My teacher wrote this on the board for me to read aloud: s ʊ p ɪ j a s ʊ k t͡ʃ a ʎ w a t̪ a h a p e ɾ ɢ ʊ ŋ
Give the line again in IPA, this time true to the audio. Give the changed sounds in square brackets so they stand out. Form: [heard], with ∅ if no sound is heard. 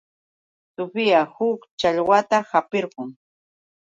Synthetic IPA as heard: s ʊ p ɪ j a [h] ʊ k t͡ʃ a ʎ w a t̪ a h a p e ɾ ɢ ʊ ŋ